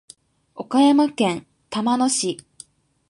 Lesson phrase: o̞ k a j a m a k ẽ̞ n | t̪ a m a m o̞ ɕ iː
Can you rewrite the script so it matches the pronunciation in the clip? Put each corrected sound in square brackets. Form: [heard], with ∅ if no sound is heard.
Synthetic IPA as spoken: o̞ k a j a m a k ẽ̞ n | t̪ a m a [n] o̞ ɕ [i]